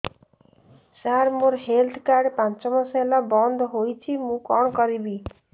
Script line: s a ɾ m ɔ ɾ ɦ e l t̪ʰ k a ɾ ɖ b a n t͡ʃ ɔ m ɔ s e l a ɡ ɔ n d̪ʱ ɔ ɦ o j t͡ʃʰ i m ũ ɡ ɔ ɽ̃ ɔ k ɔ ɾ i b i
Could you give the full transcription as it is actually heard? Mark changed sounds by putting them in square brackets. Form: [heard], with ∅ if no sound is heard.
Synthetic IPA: s a ɾ m [o] ɾ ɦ e l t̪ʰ k a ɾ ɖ [p] a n t͡ʃ ɔ m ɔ s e l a [b] ɔ n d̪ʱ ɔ ɦ o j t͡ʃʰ i m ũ [k] ɔ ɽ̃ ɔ k ɔ ɾ i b i